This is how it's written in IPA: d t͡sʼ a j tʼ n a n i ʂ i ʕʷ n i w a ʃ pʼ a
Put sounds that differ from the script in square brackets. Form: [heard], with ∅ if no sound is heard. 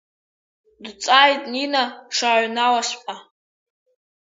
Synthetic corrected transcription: d t͡sʼ a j tʼ n [i] n [a] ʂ [a] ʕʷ n [a] w a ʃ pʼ a